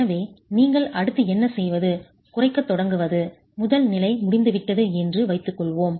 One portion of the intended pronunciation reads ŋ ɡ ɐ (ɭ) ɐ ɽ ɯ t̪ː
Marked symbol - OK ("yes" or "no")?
yes